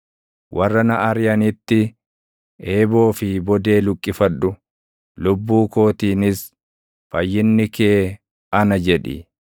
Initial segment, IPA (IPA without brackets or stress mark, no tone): w